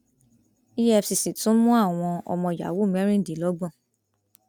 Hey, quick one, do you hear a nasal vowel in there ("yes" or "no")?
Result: yes